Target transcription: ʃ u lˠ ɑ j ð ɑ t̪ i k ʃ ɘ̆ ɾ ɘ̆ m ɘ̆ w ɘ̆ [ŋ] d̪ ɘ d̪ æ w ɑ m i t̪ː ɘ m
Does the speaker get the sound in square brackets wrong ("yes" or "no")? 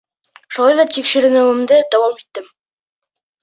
yes